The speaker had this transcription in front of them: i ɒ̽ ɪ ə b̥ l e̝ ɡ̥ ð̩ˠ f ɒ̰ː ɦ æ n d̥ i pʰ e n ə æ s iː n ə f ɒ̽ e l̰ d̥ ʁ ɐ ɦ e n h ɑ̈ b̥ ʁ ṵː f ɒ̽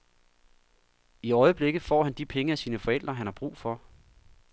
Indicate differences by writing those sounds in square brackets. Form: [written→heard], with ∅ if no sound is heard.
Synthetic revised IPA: i ɒ̽ ɪ ə b̥ l e̝ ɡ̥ ð̩ˠ f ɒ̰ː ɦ æ n d̥ i pʰ e [n→ŋ] ə æ s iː n ə f ɒ̽ e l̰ d̥ ʁ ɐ ɦ [e→æ] n h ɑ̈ b̥ ʁ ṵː f ɒ̽